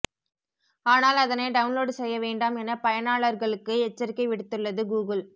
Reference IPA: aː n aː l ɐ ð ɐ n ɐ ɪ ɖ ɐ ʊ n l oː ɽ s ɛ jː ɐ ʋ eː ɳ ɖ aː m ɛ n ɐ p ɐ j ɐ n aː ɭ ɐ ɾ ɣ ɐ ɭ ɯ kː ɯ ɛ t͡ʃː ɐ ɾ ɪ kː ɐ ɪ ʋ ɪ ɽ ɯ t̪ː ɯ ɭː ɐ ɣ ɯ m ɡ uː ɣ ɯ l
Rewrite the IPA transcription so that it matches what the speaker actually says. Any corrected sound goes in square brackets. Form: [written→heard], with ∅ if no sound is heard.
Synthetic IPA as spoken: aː n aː l ɐ ð ɐ n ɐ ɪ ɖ ɐ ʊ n l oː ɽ s ɛ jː ɐ ʋ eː ɳ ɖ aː m ɛ n ɐ p ɐ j ɐ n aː ɭ ɐ ɾ ɣ ɐ ɭ ɯ kː ɯ ɛ t͡ʃː ɐ ɾ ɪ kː ɐ ɪ ʋ ɪ ɽ ɯ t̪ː ɯ ɭː ɐ [ɣ→ð] ɯ [m→∅] ɡ uː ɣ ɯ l